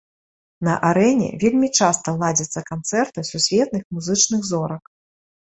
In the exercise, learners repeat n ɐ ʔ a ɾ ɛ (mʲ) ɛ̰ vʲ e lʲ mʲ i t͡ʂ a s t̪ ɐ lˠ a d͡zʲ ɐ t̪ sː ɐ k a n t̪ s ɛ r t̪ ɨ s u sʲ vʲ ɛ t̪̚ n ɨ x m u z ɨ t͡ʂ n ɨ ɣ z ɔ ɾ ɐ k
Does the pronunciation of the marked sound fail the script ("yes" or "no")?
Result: yes